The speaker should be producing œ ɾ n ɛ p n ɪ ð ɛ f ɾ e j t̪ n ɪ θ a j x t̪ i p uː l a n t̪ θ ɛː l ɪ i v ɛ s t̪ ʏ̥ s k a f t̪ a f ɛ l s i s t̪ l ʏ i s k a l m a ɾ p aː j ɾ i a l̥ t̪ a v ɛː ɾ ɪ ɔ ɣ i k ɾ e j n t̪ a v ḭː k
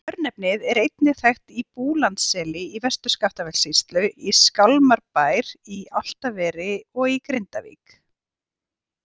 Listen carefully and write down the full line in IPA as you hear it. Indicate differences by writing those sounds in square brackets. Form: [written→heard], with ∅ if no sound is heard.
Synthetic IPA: œ ɾ n ɛ p n ɪ ð ɛ [f→∅] ɾ e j t̪ n ɪ θ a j x t̪ i p uː l a n t̪ [θ→s] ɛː l ɪ i v ɛ s t̪ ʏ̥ s k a f t̪ a [f→v] ɛ l s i s t̪ l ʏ i s k a l m a ɾ p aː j ɾ i a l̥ t̪ a v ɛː ɾ ɪ ɔ ɣ i k ɾ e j n t̪ a v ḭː k